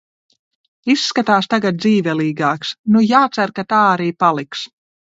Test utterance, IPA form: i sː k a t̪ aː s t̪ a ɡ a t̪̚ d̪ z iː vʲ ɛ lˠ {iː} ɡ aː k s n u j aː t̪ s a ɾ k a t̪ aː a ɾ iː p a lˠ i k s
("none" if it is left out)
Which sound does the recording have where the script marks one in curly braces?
iː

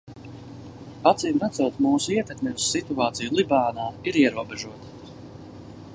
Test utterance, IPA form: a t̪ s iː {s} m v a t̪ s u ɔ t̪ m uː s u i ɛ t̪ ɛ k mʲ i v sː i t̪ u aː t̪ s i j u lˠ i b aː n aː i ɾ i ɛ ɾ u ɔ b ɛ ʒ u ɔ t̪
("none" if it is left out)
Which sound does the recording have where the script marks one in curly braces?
none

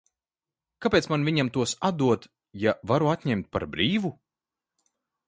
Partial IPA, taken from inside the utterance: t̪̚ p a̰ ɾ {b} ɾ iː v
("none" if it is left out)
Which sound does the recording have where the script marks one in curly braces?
b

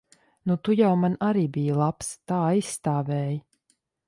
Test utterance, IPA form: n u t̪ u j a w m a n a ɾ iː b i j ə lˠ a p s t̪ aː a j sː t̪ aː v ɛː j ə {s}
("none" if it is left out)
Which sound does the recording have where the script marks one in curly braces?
none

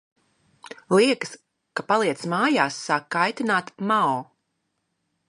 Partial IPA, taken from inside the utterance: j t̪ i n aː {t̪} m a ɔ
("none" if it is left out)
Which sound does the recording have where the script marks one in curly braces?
t̪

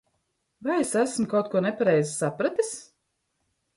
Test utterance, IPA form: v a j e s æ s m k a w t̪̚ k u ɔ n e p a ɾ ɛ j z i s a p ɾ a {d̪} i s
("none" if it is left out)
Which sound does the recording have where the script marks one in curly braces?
t̪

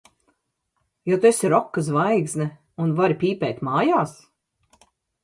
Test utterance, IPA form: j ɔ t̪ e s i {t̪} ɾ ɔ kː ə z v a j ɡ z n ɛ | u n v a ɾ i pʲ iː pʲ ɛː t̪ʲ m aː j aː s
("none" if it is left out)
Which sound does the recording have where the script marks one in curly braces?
none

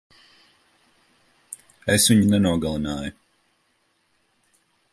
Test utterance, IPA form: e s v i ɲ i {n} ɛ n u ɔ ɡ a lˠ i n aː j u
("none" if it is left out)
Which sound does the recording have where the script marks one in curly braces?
n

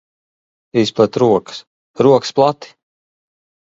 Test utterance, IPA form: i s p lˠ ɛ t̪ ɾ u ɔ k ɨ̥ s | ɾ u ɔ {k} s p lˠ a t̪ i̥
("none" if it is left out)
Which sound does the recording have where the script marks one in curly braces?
k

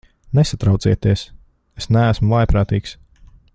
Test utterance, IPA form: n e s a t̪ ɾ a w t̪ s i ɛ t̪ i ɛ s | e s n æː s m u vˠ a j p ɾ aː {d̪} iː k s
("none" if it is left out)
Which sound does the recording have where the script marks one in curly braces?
t̪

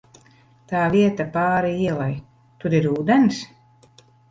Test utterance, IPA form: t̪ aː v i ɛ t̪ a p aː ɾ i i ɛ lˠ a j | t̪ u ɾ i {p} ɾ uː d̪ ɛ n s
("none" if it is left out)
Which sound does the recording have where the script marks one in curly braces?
none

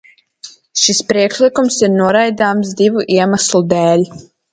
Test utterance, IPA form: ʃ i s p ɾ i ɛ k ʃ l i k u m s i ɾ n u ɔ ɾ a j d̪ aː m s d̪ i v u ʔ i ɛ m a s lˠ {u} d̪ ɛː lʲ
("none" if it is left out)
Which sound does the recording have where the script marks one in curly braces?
u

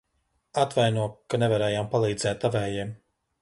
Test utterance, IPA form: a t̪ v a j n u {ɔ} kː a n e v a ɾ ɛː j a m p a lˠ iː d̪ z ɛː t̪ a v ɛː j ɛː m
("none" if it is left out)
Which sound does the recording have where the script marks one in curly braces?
ɔ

